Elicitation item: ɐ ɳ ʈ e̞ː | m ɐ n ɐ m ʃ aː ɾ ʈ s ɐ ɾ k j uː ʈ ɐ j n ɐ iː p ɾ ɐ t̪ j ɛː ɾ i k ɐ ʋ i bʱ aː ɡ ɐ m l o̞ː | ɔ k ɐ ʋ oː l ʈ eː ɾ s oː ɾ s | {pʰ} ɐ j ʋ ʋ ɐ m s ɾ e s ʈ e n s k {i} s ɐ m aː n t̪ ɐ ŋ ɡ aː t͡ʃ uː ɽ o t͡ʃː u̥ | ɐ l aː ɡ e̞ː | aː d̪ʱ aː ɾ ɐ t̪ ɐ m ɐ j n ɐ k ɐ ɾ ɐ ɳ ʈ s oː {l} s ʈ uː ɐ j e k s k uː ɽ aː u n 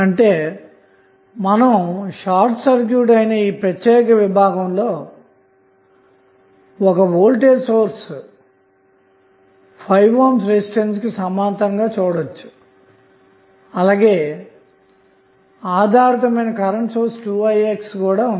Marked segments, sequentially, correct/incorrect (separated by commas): correct, correct, incorrect